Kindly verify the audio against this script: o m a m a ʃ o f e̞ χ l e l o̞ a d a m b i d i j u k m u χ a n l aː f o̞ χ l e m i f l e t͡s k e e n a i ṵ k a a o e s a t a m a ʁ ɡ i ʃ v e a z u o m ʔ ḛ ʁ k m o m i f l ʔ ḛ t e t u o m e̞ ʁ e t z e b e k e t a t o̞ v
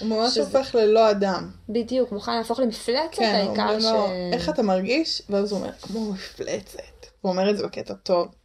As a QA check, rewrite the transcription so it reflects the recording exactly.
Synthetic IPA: u m a m a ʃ o f e̞ χ l e l o̞ a d a m b i d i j u k m u χ a n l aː f o̞ χ l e m i f l e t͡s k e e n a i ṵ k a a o e χ a t a m a ʁ ɡ i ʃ v e a z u o m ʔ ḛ ʁ k m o m i f l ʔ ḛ t͡s e t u o m e̞ ʁ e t z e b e k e t a t o̞ v